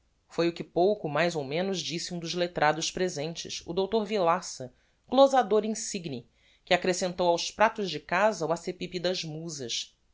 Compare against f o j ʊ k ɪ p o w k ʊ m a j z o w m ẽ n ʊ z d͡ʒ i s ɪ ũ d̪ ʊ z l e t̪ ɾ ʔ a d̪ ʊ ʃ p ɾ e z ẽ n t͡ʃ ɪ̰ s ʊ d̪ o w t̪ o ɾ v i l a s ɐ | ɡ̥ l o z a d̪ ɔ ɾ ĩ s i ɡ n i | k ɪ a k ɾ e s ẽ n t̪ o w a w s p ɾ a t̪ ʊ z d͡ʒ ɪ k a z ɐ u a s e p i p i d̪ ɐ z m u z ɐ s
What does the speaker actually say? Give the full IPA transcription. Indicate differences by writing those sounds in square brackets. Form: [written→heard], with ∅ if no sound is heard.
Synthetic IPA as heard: f o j ʊ k ɪ p o w k ʊ m a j z o w m ẽ n ʊ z d͡ʒ i s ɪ ũ d̪ ʊ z l e t̪ ɾ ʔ a d̪ ʊ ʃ p ɾ e z ẽ n t͡ʃ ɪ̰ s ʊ d̪ o w t̪ o ɾ v i l a s ɐ | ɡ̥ l o z a d̪ [ɔ→o] ɾ ĩ s i ɡ n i | k ɪ a k ɾ e s ẽ n t̪ o w a w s p ɾ a t̪ ʊ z d͡ʒ ɪ k a z ɐ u a s e p i p i d̪ ɐ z m u z ɐ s